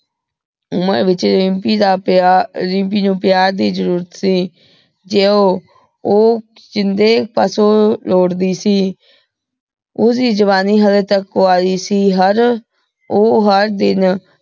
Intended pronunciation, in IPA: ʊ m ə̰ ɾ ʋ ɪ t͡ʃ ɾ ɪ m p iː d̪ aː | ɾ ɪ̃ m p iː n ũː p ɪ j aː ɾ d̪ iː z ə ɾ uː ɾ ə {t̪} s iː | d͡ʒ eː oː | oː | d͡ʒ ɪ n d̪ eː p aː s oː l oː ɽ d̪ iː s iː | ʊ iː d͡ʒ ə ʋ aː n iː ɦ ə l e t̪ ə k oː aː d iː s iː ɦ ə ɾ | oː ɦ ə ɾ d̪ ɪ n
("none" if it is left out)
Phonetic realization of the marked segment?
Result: t̪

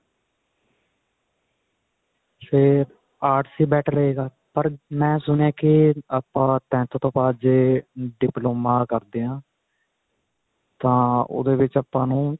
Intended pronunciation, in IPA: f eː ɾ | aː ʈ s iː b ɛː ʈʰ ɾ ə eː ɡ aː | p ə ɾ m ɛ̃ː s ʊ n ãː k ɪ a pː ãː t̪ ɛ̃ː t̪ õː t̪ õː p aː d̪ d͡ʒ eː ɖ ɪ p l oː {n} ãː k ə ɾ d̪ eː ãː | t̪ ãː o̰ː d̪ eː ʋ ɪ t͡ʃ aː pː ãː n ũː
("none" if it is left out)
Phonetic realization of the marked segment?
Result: m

